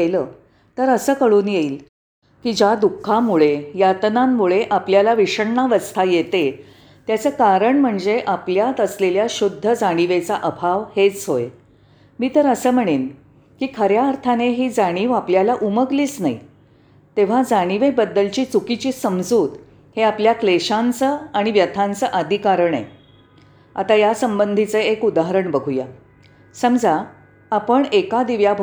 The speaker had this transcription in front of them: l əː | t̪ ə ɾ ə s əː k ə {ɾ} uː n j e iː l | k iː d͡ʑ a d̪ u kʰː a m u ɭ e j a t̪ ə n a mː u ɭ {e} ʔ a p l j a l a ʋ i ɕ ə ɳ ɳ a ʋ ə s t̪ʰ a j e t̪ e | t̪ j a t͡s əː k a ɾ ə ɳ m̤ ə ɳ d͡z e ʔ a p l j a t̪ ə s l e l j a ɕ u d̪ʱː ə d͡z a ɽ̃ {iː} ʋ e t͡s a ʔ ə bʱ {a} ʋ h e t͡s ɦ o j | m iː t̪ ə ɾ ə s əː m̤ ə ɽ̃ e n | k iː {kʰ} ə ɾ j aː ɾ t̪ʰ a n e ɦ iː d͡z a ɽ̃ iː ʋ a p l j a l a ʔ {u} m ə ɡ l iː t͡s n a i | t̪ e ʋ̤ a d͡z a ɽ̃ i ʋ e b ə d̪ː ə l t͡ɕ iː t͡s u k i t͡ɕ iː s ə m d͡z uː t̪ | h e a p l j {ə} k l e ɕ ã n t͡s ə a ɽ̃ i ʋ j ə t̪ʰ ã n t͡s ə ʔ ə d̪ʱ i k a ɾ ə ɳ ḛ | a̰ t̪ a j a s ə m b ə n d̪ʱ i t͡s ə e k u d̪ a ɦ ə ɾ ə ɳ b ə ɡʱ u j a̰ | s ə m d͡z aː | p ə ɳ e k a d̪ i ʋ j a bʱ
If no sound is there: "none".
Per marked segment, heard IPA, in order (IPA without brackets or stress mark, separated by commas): ɭ, e, i, a, kʰ, u, a